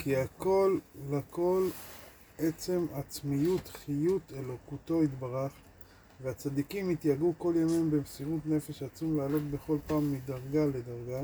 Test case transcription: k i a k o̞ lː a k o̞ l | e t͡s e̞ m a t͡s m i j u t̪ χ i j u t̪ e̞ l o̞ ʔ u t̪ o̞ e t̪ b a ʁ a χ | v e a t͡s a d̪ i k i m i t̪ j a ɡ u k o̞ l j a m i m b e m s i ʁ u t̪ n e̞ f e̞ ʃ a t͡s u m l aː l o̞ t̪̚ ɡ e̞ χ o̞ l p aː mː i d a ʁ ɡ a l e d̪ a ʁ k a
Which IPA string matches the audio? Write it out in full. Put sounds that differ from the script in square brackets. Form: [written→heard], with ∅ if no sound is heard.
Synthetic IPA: k i a k o̞ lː a k o̞ l | e t͡s e̞ m a t͡s m i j u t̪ χ i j u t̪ e̞ l o̞ [ʔ→k] u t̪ o̞ [e→i] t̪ b a ʁ a χ | v e a t͡s a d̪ i k i m i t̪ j a ɡ u k o̞ l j a m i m b e m s i ʁ u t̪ n e̞ f e̞ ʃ a t͡s u m l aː l o̞ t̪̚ [ɡ→b] e̞ χ o̞ l p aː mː i d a ʁ ɡ a l e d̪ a ʁ [k→ɡ] a